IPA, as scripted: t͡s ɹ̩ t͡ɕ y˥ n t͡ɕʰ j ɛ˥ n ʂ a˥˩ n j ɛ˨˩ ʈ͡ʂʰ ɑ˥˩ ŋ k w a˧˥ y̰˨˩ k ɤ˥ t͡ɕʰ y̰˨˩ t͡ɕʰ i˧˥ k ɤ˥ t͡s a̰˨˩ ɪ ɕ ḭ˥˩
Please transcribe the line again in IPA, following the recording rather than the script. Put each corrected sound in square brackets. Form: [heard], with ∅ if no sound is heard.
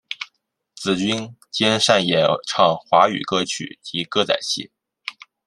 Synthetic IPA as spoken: t͡s ɹ̩ t͡ɕ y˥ n [t͡ɕ] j ɛ˥ n ʂ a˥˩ n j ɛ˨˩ ʈ͡ʂʰ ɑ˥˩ ŋ [x] w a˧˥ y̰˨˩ k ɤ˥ t͡ɕʰ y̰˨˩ [t͡ɕ] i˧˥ k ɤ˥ t͡s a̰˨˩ ɪ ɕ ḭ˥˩